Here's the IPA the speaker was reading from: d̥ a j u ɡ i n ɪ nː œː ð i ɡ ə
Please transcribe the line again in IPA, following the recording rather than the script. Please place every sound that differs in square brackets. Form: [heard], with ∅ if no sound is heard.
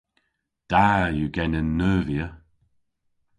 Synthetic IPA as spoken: d̥ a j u ɡ [ɛ] n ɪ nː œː [v] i [∅] ə